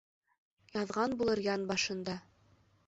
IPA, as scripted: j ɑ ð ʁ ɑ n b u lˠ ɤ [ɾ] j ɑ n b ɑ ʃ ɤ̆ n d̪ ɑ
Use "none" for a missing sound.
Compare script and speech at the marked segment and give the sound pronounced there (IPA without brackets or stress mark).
ɾ